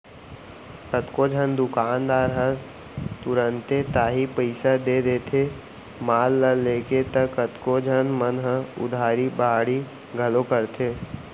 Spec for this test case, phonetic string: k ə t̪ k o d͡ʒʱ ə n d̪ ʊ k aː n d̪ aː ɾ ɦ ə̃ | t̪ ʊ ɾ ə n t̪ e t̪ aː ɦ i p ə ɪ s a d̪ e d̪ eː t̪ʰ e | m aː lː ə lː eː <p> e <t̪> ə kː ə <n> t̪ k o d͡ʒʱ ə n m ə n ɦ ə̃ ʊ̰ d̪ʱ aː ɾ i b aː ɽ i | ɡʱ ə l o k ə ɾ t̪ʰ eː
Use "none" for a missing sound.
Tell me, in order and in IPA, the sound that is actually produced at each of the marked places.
k, t̪, none

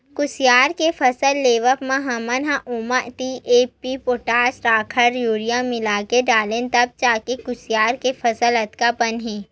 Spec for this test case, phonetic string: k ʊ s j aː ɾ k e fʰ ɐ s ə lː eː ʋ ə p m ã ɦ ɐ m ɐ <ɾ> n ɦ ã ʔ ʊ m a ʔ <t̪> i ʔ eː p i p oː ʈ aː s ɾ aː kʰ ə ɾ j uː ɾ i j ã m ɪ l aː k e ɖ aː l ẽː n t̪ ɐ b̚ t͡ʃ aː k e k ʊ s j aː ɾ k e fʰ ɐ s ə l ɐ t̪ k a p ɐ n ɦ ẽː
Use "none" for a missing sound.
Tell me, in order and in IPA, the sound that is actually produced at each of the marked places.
none, t̪

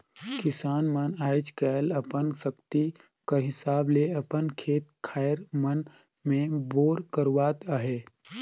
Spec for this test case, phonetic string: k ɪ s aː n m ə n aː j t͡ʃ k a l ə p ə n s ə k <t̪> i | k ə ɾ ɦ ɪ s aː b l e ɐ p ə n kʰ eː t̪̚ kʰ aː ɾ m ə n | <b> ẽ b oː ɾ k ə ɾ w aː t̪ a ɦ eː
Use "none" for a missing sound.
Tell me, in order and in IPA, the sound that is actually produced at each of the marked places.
t̪, m

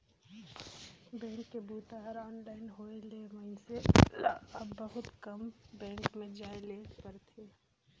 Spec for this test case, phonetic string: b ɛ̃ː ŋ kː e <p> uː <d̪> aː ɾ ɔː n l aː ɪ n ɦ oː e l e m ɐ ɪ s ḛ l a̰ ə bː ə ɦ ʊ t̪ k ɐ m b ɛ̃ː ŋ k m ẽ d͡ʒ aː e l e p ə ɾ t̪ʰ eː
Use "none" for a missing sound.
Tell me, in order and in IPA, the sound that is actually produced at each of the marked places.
b, t̪

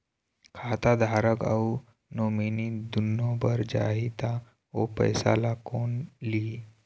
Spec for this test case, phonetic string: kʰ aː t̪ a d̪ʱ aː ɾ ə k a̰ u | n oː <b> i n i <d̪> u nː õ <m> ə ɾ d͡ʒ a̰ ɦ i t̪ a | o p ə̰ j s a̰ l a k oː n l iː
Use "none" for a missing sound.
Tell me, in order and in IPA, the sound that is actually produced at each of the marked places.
m, d̪, b

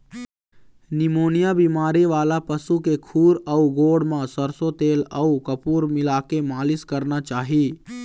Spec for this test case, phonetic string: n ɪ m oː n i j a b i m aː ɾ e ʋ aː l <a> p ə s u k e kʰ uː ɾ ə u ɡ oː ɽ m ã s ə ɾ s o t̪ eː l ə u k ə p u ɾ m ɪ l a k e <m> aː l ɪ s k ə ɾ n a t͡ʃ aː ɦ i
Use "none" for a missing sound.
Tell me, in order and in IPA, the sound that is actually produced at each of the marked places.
a, m

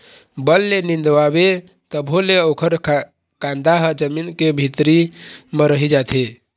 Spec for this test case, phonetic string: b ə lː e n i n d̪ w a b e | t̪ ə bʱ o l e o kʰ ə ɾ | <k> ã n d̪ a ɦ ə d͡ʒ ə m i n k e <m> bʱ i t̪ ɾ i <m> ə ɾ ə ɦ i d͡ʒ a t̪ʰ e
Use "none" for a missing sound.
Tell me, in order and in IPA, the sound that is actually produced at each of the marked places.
k, none, m

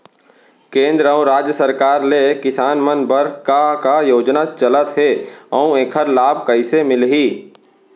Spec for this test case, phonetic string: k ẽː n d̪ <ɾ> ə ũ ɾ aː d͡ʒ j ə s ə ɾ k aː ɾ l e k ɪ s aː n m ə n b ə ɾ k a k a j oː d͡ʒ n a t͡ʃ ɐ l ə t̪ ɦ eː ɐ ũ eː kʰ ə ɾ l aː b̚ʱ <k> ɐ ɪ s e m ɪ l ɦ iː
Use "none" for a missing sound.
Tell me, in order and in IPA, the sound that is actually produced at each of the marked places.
ɾ, k

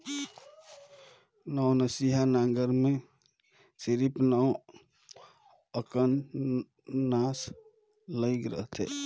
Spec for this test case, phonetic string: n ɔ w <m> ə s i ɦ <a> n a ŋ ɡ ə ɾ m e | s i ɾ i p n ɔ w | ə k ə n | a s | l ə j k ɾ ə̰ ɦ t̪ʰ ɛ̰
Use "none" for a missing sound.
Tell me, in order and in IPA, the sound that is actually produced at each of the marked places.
n, a

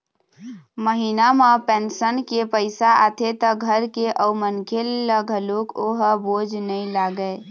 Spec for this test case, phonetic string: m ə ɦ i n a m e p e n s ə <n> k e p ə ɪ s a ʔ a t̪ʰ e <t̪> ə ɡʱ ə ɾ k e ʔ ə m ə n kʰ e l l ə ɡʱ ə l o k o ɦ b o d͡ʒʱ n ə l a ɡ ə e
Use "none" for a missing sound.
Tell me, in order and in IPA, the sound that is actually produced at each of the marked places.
n, t̪

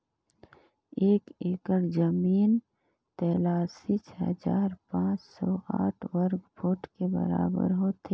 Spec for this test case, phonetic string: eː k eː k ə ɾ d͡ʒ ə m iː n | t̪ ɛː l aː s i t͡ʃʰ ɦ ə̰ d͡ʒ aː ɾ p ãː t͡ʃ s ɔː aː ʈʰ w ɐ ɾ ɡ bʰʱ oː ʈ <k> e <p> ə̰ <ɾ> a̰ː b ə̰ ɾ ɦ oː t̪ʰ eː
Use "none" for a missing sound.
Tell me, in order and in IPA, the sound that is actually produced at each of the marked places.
k, b, ɾ

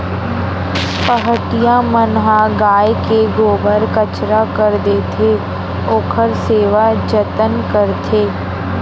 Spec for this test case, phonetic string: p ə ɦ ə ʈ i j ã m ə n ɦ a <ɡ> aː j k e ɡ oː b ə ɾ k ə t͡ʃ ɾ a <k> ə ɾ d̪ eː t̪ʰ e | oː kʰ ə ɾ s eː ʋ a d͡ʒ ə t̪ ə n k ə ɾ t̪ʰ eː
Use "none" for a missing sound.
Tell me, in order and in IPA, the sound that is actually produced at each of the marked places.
ɡ, k

